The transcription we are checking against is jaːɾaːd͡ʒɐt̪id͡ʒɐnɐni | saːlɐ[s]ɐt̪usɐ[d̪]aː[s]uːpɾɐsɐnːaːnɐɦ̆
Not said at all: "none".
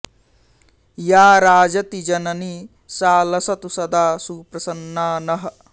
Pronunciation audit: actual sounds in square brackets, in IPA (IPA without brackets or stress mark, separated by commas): s, d̪, s